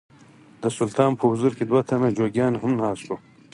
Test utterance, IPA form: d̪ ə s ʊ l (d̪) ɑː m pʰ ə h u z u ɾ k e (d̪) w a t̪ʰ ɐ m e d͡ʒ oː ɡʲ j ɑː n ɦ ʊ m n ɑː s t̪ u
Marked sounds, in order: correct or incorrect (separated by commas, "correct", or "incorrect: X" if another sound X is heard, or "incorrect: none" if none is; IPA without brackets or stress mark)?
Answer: incorrect: t̪, correct